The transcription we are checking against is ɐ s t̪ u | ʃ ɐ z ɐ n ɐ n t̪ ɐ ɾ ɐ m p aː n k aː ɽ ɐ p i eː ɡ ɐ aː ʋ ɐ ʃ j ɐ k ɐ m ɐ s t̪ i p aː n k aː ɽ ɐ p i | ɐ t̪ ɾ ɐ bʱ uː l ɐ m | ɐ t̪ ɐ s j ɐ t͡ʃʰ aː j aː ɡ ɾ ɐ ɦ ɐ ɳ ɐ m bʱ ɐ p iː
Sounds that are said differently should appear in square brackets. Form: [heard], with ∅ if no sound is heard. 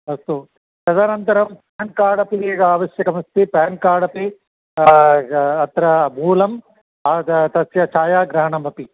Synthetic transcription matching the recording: ɐ s t̪ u | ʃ ɐ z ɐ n ɐ n t̪ ɐ ɾ ɐ m p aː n k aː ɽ ɐ p i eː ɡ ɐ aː ʋ ɐ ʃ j ɐ k ɐ m ɐ s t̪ i p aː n k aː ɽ ɐ p i | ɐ t̪ ɾ ɐ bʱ uː l ɐ m | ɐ t̪ ɐ s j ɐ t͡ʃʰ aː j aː ɡ ɾ ɐ ɦ ɐ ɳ ɐ m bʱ ɐ p [i]

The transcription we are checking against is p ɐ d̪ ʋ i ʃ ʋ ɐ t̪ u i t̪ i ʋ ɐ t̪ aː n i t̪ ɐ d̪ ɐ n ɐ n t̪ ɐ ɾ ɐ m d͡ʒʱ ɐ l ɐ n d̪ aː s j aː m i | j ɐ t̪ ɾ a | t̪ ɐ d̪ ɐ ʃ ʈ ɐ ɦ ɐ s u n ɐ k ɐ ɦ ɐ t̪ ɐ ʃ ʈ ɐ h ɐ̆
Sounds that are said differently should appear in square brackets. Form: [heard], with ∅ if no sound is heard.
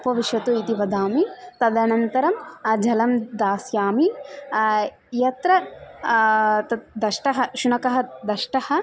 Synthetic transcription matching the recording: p ɐ [∅] ʋ i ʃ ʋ ɐ t̪ u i t̪ i ʋ ɐ [d̪] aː [m] i t̪ ɐ d̪ ɐ n ɐ n t̪ ɐ ɾ ɐ m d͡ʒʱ ɐ l ɐ [m] d̪ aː s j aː m i | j ɐ t̪ ɾ [ɐ] | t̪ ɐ d̪ ɐ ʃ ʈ ɐ ɦ ɐ [ʃ] u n ɐ k ɐ ɦ ɐ [d̪] ɐ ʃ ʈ ɐ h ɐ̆

